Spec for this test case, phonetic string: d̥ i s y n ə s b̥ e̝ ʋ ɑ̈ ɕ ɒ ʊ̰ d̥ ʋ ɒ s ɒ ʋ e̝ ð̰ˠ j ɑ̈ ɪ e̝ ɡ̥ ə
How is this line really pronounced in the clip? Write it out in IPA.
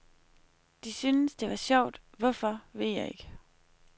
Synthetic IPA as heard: d̥ i s y n ə s d̥ e̝ ʋ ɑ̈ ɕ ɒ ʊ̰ d̥ ʋ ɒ f ɒ ʋ e̝ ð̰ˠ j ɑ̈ ɪ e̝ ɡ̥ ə